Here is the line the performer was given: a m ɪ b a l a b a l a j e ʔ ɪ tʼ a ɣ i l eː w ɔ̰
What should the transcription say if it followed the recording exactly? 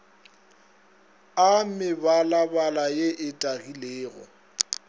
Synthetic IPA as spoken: a m ɪ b a l a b a l a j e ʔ ɪ tʼ a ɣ i l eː ɣ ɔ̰